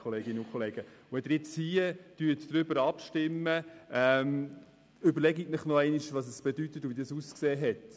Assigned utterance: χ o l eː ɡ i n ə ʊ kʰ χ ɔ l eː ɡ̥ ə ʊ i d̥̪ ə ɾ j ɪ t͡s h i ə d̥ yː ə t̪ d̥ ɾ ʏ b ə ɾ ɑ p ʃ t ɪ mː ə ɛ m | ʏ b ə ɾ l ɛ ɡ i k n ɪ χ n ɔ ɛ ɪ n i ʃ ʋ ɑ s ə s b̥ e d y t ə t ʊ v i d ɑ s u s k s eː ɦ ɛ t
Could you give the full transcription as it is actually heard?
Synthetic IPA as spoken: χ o l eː ɡ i n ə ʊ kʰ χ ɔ l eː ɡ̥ ə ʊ ɛ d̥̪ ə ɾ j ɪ t͡s h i ə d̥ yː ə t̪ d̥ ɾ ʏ b ə ɾ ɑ p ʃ t ɪ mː ə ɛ m | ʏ b ə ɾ l ɛ ɡ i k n ɪ χ n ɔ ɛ ɪ n i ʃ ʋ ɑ s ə s b̥ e d y t ə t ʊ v i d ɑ s u s k s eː ɦ ɛ t